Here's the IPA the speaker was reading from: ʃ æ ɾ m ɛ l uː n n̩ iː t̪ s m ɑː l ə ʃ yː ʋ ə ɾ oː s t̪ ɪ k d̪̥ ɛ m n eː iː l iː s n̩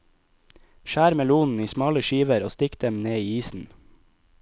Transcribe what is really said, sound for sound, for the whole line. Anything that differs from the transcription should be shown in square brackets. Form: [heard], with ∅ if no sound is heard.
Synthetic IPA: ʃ [æː] ɾ m ɛ l uː n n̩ iː [∅] s m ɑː l ə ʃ [iː] ʋ ə ɾ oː s t̪ ɪ k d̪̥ ɛ m n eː iː [∅] iː s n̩